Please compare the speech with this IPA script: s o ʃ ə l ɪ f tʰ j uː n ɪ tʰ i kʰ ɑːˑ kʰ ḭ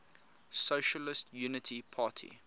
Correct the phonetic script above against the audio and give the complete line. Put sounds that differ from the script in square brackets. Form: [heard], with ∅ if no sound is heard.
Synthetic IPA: s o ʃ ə l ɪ [s] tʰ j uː n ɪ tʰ i [pʰ] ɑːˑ [tʰ] ḭ